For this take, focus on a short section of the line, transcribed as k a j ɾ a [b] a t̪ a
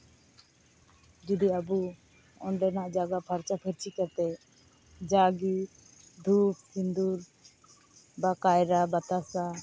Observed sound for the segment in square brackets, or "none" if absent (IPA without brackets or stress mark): b